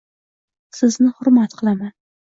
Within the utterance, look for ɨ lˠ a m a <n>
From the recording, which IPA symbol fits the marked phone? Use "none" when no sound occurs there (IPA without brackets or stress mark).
n